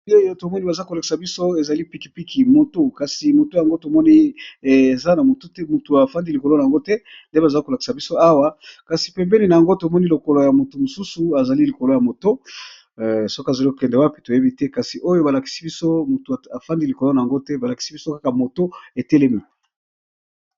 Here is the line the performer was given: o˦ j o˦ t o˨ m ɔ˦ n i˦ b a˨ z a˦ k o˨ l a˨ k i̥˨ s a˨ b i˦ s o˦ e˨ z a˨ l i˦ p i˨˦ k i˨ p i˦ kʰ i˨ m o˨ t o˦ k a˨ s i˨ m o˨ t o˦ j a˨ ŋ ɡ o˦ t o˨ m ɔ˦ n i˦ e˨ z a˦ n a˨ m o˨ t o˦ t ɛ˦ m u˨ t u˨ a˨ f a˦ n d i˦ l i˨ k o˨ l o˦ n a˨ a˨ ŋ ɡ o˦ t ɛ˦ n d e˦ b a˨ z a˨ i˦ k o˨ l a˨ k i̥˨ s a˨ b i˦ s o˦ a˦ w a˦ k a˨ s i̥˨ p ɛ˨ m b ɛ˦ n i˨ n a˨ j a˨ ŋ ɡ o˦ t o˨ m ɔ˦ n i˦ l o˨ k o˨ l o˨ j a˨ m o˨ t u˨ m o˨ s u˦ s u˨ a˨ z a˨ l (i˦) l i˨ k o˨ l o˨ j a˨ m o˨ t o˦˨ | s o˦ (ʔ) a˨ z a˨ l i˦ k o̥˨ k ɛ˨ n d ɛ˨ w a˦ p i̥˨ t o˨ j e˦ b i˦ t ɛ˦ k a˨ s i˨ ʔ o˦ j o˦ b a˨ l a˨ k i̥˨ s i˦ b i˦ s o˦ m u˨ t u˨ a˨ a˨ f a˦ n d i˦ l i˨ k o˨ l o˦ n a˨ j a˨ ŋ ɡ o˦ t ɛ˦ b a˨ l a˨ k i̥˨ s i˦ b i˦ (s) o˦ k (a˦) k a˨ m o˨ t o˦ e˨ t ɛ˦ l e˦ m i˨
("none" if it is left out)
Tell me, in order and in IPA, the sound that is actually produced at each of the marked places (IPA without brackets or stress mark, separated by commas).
i˦, k, s, a˦